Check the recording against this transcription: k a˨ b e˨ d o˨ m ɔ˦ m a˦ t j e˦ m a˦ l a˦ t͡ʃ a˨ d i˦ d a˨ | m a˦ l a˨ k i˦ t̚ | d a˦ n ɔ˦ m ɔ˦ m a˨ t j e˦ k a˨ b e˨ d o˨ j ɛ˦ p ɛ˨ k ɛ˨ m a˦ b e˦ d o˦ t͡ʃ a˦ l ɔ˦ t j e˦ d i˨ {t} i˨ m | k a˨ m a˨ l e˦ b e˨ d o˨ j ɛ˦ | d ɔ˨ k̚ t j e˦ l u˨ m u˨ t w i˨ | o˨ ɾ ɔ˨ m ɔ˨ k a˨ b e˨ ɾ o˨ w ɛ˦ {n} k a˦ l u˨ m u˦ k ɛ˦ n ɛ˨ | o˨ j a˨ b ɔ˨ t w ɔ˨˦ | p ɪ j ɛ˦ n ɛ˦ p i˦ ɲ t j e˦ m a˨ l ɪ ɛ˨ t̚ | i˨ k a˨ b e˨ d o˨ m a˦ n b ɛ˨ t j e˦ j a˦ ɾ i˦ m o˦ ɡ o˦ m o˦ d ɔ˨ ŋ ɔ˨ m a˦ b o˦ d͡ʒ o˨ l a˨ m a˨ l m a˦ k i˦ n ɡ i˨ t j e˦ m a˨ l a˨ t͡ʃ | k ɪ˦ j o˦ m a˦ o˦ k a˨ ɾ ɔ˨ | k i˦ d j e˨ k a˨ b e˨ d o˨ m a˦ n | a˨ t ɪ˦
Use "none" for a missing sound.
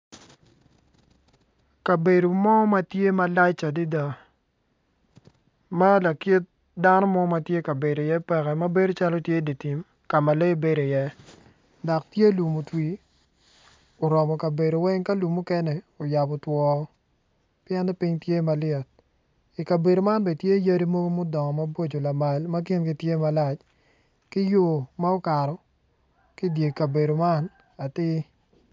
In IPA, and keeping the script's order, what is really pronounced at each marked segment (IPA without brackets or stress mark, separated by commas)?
t, ŋ